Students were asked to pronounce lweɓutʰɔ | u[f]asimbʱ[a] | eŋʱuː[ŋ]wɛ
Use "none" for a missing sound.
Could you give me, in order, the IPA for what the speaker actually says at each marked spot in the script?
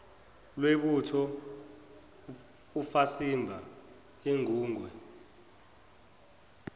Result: f, a, ŋ

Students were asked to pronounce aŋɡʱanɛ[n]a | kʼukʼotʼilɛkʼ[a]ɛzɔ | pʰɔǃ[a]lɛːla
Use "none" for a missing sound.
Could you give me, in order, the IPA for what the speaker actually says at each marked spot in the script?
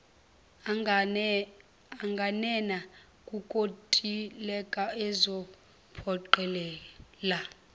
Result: n, a, ɛ

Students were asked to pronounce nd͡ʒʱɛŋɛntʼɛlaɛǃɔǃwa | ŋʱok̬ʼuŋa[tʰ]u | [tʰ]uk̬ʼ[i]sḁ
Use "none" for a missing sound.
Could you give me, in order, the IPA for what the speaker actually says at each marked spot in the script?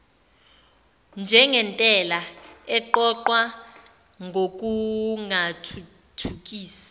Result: tʰ, tʰ, iː

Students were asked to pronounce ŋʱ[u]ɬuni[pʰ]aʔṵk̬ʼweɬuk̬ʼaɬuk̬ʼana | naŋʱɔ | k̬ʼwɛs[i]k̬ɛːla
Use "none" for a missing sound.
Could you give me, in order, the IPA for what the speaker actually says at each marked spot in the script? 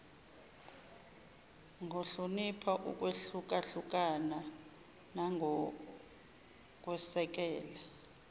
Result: o, pʰ, ɛ

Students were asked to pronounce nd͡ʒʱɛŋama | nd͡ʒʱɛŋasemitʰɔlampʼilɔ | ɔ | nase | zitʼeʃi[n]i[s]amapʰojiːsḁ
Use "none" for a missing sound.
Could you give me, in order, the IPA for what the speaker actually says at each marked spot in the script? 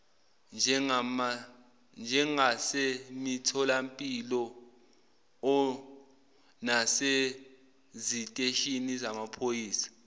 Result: n, z

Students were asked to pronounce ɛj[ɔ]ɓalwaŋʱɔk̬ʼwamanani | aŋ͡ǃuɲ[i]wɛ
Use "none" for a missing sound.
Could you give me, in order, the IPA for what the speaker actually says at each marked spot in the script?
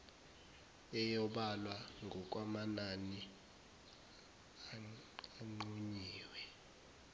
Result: ɔ, iː

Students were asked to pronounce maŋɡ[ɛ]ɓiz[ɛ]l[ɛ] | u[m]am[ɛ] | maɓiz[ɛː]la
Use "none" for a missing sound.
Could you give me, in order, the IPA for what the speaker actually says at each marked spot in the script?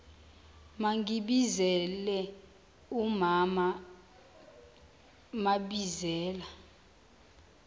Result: i, ɛ, ɛ, m, a, ɛː

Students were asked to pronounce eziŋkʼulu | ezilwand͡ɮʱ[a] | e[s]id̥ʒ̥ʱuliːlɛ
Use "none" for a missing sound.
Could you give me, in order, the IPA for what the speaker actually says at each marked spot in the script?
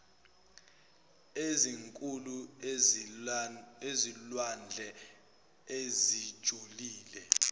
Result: ɛ, z

